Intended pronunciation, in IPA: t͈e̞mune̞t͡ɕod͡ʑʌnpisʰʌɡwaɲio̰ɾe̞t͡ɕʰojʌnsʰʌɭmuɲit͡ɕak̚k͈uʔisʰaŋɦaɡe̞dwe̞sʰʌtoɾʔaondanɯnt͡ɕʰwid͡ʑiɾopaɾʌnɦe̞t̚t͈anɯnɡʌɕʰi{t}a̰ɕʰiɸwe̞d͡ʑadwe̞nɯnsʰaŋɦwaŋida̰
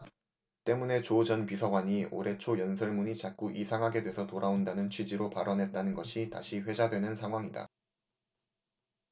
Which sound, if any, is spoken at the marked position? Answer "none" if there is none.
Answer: t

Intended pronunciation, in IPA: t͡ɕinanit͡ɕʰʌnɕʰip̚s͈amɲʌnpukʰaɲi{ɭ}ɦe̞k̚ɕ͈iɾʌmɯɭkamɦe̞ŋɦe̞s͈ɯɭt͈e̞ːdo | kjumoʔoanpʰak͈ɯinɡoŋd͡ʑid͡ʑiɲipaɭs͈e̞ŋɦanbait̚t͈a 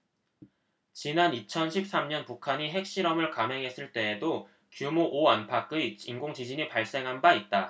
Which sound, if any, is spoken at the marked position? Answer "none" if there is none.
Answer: none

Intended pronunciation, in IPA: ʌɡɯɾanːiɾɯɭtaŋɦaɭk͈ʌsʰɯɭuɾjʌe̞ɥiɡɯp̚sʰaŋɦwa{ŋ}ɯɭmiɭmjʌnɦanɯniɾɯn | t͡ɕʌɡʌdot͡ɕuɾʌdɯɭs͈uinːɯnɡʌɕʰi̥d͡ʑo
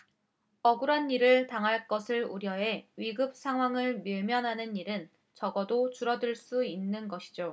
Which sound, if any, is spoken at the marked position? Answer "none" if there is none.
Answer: ŋ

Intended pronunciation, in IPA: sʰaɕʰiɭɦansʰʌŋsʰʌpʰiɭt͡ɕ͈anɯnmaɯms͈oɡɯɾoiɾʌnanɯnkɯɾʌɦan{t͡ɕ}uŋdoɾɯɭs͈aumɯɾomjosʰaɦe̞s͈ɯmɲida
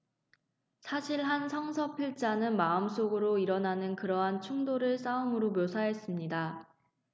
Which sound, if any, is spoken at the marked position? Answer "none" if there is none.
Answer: t͡ɕʰ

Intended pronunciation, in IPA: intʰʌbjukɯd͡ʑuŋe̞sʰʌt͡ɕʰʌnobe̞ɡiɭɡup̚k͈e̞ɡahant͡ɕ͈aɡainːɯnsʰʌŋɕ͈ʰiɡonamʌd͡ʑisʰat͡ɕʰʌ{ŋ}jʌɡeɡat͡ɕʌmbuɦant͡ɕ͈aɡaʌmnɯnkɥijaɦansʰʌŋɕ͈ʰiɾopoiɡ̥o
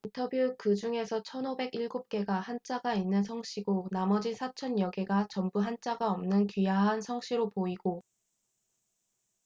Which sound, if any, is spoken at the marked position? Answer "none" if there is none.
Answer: n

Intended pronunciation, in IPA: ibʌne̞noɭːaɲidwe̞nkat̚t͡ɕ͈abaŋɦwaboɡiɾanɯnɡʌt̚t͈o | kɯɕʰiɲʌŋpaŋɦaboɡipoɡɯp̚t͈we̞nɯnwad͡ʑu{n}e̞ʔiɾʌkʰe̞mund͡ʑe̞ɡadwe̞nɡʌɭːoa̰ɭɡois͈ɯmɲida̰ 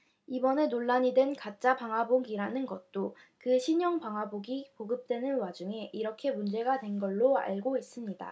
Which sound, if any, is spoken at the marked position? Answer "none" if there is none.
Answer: ŋ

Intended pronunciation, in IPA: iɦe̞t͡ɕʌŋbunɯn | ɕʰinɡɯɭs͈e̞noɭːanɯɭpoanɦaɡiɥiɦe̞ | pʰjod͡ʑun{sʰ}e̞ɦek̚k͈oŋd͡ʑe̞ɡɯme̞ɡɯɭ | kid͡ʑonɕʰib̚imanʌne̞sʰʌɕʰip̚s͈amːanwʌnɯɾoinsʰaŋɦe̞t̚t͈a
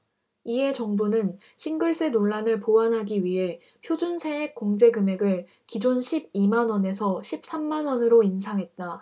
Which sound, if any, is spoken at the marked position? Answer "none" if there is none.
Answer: sʰ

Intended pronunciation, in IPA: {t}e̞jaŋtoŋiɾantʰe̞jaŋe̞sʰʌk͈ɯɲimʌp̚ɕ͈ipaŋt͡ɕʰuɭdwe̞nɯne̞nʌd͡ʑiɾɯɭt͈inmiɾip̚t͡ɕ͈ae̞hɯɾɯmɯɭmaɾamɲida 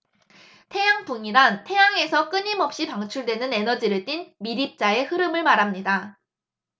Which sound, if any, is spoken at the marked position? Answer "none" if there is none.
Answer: tʰ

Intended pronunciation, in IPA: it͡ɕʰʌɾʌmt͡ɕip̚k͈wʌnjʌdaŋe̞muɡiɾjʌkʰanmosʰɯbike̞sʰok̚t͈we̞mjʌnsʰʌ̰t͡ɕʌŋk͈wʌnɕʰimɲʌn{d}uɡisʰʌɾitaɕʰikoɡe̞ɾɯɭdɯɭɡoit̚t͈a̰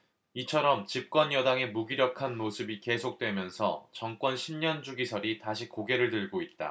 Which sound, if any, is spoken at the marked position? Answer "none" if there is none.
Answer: d͡ʑ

